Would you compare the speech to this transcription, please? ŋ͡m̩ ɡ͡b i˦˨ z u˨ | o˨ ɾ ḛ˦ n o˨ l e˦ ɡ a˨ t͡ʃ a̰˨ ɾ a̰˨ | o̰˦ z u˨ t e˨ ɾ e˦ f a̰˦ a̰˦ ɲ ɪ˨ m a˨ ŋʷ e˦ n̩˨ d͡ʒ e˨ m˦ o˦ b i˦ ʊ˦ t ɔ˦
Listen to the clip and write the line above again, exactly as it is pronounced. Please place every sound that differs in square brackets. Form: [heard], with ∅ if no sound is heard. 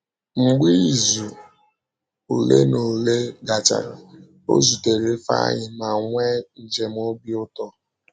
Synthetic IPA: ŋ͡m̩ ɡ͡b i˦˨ z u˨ | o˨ [l] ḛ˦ n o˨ l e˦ ɡ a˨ t͡ʃ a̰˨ ɾ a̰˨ | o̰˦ z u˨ t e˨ ɾ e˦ f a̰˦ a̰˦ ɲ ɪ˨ m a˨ ŋʷ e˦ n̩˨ d͡ʒ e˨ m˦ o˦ b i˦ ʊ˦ t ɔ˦